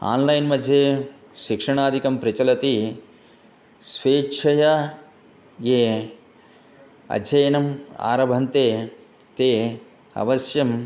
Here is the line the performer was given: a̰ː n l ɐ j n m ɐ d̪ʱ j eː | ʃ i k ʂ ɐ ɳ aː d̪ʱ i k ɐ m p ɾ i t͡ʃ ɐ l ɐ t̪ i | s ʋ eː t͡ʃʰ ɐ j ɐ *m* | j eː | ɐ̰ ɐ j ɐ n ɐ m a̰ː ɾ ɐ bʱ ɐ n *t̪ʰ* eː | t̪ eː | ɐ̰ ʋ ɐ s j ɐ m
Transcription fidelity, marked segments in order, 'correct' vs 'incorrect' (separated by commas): incorrect, incorrect